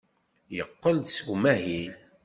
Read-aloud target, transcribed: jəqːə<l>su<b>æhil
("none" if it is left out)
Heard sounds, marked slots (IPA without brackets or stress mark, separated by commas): l, m